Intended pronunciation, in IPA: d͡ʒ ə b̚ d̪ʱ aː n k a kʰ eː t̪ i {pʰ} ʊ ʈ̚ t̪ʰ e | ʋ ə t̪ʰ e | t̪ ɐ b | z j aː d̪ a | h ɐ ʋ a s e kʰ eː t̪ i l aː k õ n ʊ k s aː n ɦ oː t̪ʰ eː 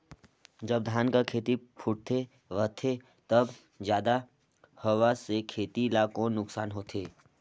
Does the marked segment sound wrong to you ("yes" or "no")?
no